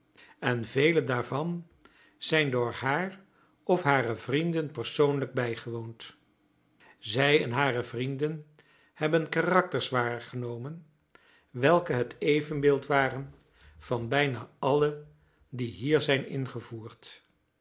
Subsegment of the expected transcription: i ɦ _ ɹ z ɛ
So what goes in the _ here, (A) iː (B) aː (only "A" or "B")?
A